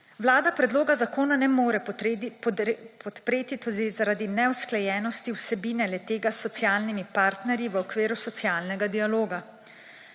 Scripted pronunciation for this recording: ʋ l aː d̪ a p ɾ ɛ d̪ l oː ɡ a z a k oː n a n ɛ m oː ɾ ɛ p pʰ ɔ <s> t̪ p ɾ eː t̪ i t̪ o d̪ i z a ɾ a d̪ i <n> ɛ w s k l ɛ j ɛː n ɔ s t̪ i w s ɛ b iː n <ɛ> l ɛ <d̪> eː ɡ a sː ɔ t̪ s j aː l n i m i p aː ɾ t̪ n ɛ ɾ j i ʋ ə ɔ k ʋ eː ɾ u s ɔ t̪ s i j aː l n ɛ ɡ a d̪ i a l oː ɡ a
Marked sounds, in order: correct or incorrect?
incorrect: none, correct, correct, incorrect: t̪

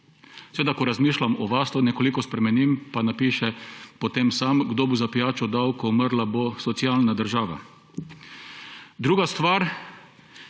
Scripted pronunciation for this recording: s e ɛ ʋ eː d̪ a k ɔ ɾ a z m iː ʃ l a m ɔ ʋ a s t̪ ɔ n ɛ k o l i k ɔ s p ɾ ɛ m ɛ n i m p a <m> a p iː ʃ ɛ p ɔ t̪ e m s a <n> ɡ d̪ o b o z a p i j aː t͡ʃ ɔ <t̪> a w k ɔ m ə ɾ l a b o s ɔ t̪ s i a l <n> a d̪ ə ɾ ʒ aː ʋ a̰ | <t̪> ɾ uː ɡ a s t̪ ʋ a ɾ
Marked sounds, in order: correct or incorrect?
incorrect: n, incorrect: m, incorrect: d̪, correct, incorrect: d̪

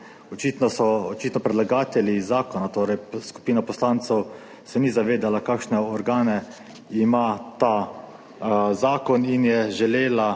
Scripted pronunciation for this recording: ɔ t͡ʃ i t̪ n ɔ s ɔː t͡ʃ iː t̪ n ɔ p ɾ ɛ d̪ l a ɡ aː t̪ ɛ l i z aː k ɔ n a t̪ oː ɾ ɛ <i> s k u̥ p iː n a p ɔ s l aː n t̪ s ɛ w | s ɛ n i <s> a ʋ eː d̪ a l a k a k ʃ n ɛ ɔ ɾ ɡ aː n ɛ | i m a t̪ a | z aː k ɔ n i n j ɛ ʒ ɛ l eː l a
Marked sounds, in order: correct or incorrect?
incorrect: j, incorrect: z

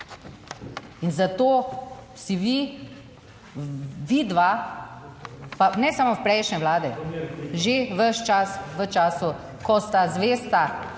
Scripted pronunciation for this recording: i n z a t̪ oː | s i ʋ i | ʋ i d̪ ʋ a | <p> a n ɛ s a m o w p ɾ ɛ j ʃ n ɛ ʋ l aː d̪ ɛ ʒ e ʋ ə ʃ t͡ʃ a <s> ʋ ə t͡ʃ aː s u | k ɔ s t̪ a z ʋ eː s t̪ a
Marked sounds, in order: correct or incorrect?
correct, correct

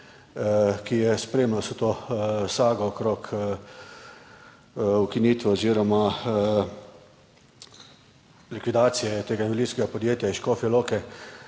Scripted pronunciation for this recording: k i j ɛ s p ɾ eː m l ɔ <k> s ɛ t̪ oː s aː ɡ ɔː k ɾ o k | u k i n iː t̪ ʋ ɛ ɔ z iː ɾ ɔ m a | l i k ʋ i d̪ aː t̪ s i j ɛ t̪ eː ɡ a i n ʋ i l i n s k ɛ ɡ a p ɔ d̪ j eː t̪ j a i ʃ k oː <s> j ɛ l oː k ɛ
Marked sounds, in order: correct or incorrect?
incorrect: none, incorrect: f

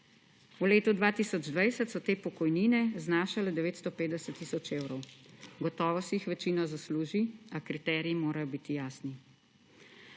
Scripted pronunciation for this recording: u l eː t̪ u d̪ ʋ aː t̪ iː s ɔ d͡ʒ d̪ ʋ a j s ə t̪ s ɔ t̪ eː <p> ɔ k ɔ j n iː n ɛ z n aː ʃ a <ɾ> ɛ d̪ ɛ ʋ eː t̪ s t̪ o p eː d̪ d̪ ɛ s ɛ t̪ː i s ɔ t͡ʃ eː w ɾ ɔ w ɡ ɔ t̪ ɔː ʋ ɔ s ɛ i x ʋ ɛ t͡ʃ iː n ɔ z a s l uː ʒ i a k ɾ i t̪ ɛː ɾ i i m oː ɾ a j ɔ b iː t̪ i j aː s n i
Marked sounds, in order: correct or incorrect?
correct, incorrect: l

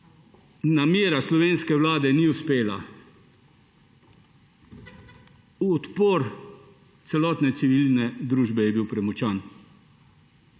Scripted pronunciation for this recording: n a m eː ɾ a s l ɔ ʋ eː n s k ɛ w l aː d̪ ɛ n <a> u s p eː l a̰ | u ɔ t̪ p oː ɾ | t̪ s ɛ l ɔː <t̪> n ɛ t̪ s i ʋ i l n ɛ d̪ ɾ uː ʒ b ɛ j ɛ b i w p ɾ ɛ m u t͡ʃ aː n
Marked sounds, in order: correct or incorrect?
incorrect: i, correct

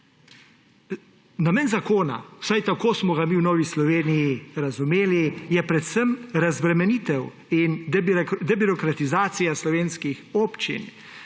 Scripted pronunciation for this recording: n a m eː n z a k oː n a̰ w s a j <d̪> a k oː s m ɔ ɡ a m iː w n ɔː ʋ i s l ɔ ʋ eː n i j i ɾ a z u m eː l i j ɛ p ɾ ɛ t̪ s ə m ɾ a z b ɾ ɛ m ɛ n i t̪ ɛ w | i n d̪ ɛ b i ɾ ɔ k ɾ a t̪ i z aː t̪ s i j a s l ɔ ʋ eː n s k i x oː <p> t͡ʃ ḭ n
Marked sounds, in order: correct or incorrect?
incorrect: t̪, correct

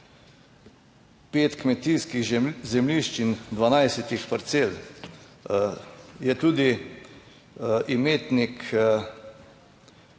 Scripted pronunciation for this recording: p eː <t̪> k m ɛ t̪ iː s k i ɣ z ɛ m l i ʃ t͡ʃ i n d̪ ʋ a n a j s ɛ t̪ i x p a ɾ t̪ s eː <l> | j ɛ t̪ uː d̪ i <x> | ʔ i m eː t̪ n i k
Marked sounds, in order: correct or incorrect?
correct, correct, incorrect: none

